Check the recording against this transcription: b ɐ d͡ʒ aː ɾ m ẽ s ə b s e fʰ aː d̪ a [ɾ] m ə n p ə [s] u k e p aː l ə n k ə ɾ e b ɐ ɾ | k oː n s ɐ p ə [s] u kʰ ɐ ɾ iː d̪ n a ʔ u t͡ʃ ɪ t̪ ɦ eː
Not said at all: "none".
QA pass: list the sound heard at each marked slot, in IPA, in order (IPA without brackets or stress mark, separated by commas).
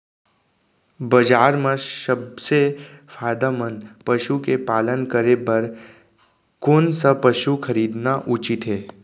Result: none, ʃ, ʃ